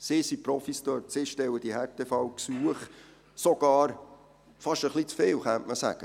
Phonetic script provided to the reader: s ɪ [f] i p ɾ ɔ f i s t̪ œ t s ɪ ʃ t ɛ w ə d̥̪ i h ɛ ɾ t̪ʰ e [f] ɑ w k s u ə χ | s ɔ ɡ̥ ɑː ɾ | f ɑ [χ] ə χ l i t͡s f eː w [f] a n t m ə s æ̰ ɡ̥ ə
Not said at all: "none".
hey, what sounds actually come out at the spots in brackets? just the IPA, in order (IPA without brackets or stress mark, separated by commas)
s, f, ʃ, χ